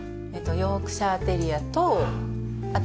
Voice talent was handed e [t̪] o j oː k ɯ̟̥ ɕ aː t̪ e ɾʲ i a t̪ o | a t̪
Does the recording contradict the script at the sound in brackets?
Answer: no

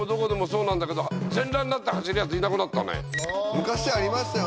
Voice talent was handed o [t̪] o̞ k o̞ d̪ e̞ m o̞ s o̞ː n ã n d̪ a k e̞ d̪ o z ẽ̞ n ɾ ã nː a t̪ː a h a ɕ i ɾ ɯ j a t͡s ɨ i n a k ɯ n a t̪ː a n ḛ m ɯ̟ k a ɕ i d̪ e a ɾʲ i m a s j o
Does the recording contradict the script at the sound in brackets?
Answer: yes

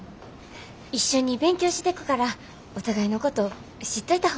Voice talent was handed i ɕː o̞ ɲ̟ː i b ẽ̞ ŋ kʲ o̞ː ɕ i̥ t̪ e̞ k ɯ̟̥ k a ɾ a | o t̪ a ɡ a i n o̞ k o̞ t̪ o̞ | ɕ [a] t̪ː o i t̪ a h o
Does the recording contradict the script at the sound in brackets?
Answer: yes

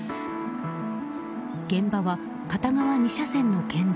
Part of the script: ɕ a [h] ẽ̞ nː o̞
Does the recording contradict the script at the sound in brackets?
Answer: yes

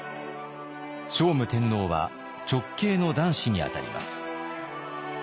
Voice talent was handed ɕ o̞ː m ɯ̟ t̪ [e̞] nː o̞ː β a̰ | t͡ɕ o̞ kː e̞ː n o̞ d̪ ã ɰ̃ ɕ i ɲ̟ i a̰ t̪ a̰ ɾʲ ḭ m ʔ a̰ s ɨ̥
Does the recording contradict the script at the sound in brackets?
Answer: yes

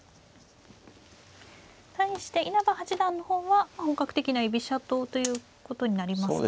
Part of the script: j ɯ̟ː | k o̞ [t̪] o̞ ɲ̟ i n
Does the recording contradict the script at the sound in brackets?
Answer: no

